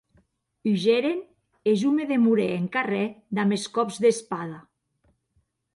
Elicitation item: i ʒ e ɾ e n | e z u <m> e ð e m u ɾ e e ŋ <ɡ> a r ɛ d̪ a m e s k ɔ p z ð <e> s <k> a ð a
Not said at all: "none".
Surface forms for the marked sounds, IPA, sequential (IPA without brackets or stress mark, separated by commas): m, k, e, p